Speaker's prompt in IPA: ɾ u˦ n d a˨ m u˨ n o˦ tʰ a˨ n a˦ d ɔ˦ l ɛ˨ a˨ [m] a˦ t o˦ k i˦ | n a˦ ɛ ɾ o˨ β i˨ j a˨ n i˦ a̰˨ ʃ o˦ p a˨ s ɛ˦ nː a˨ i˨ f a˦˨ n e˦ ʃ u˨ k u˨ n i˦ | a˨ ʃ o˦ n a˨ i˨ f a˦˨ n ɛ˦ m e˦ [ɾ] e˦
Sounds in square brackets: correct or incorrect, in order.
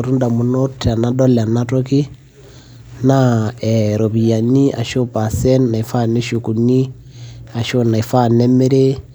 incorrect, correct

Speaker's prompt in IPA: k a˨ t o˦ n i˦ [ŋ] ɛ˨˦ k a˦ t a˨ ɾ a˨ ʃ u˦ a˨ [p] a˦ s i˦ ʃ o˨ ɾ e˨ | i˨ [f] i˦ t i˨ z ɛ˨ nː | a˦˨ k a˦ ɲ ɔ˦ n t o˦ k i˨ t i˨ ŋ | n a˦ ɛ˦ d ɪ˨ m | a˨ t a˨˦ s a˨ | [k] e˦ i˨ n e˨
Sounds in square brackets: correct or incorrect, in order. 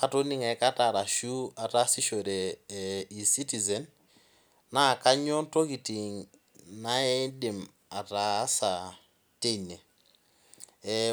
correct, incorrect, incorrect, incorrect

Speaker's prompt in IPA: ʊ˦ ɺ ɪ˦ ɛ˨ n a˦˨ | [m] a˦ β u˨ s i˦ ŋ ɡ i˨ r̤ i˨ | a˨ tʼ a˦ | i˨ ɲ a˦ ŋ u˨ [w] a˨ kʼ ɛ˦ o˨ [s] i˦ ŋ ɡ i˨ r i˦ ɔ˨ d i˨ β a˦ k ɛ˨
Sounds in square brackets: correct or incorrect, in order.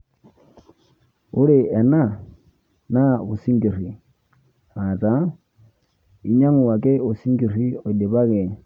incorrect, correct, correct

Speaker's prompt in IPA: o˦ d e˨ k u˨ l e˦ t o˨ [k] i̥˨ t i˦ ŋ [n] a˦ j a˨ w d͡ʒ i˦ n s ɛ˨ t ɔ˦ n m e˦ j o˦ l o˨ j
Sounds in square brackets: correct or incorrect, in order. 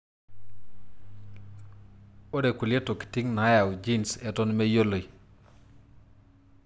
correct, correct

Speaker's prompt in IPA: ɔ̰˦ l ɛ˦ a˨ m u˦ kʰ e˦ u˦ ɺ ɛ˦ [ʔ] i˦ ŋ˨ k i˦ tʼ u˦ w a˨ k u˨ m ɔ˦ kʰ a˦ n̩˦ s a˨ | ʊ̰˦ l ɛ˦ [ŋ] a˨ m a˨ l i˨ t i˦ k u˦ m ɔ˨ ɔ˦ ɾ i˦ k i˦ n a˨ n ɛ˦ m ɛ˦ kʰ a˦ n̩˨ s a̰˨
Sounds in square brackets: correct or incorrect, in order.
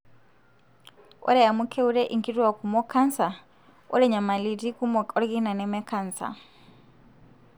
correct, incorrect

